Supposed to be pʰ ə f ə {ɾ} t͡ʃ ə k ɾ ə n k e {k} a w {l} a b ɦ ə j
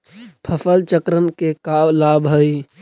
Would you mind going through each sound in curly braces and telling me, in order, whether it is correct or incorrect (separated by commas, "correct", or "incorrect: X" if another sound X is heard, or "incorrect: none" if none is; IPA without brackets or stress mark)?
incorrect: l, correct, correct